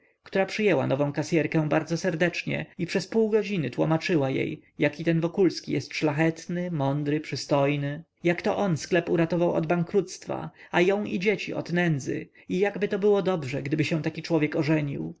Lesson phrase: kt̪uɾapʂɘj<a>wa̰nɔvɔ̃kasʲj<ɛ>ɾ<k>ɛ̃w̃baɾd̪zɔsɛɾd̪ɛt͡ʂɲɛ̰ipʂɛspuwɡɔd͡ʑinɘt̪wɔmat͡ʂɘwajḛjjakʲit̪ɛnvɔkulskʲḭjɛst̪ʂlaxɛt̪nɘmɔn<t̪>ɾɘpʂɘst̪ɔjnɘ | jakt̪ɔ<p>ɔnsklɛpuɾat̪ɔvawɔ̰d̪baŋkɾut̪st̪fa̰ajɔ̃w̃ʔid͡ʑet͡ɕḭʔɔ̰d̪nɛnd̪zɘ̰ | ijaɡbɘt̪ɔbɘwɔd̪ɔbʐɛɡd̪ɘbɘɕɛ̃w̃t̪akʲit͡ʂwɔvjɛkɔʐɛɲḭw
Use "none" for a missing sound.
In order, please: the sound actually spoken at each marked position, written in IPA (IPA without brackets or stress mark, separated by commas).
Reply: ɛ, ɛ, k, d̪, ʔ